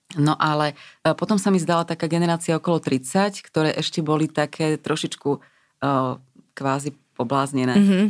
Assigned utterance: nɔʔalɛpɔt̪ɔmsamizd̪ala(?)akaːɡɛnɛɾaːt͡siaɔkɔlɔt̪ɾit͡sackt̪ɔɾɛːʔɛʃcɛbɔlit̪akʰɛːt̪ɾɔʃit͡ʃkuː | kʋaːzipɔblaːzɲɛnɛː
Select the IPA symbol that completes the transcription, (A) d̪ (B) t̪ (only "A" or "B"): B